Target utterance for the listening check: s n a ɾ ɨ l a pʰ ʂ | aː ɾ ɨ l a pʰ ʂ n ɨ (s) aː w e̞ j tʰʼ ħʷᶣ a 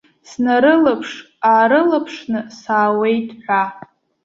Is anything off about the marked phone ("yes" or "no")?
no